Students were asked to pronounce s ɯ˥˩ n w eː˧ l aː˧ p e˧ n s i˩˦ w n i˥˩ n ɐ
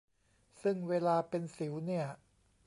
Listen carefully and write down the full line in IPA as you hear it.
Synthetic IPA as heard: s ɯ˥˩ ŋ w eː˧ l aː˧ p e˧ n s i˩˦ w n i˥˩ ɐ